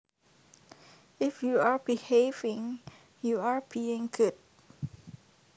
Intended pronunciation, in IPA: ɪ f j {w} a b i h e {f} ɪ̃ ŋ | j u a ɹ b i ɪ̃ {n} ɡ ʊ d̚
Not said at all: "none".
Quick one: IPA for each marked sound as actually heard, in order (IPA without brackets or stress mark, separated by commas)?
u, v, ŋ